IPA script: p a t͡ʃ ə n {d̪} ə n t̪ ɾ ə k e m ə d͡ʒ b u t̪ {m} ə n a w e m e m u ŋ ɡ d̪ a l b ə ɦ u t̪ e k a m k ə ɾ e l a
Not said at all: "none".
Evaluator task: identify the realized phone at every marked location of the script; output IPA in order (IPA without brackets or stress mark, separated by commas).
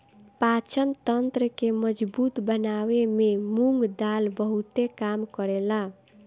t̪, b